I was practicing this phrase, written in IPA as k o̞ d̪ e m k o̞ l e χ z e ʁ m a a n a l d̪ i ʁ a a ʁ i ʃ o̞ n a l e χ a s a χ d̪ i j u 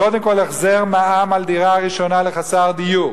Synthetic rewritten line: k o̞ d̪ e m k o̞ l e χ z e ʁ m a a m a l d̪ i ʁ a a ʁ i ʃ o̞ n a l e χ a s a ʁ d̪ i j u